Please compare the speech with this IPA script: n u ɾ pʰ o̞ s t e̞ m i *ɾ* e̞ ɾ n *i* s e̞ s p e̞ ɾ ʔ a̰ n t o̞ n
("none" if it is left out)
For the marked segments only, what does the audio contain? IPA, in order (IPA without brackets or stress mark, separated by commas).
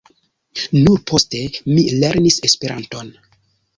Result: l, i